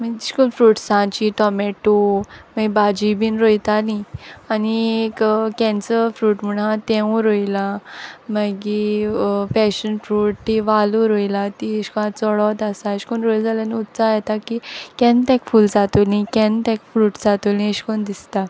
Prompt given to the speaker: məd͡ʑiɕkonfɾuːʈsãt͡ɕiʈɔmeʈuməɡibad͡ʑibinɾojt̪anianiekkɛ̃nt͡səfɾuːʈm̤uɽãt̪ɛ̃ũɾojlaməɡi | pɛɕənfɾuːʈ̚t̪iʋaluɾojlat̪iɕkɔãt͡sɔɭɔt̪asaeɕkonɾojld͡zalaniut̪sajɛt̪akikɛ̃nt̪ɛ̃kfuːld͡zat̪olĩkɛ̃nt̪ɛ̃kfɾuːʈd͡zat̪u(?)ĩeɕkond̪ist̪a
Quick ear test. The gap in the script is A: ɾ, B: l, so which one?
B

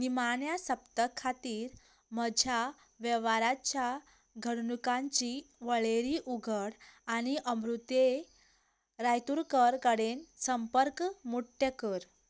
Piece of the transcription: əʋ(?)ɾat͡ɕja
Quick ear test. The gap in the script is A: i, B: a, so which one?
B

